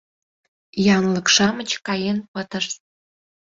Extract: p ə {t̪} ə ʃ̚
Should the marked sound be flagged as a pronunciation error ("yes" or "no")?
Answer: no